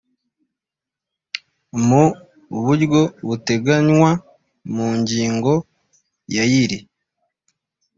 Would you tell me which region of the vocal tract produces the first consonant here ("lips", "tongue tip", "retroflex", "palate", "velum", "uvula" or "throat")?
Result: lips